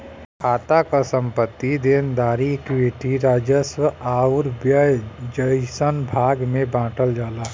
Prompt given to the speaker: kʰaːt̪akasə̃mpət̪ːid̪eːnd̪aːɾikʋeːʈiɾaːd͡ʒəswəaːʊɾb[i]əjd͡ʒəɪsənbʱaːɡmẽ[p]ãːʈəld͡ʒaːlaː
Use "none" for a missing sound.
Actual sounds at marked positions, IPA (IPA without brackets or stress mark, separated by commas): j, b